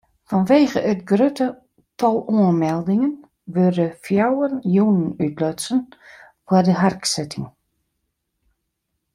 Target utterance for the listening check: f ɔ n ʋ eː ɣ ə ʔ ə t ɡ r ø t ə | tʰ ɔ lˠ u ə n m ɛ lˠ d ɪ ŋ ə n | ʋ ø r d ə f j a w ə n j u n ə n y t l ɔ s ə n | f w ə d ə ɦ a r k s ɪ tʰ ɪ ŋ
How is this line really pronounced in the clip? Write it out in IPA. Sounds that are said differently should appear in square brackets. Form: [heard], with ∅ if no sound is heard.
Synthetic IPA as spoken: f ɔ n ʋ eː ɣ ə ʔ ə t ɡ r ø t ə | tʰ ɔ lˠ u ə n m ɛ lˠ d ɪ ŋ ə n | ʋ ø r d ə f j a w ə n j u n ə n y t l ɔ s ə n | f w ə d ə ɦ a r k s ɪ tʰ ɪ ŋ